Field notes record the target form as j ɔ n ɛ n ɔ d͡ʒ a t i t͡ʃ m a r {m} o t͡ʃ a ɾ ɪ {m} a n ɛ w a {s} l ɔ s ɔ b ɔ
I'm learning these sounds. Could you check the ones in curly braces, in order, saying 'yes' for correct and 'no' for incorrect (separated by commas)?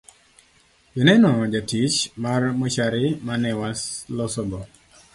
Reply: yes, yes, yes